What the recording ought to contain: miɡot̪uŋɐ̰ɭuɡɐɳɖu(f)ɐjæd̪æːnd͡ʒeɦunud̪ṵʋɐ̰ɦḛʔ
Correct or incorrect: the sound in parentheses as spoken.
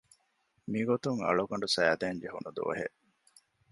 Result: incorrect: s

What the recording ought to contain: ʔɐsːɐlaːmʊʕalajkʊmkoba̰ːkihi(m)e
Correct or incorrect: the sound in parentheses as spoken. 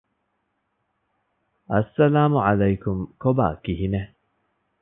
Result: incorrect: n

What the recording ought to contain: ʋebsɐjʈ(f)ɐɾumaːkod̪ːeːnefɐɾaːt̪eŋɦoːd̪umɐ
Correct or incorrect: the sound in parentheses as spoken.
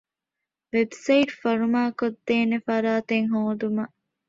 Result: correct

